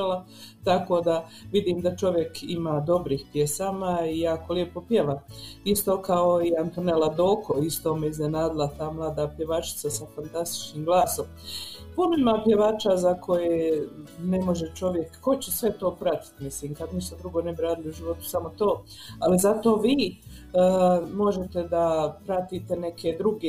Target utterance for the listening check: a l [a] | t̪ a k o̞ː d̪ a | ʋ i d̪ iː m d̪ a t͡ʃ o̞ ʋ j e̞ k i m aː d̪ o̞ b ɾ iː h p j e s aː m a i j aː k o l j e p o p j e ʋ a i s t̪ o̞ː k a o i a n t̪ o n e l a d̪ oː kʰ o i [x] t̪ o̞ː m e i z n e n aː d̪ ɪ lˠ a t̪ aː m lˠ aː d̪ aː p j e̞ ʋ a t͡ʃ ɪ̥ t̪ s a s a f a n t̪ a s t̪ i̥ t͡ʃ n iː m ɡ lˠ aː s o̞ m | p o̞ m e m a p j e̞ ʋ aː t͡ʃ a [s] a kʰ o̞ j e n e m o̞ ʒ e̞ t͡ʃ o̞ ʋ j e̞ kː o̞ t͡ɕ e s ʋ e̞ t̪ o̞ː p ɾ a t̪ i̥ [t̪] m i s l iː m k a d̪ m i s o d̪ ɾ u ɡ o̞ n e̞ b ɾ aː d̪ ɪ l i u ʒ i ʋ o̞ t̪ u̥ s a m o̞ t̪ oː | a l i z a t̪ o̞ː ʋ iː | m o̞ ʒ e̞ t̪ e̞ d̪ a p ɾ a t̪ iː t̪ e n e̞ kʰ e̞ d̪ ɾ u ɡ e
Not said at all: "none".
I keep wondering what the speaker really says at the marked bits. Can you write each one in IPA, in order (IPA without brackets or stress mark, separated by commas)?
a, s, z, t̪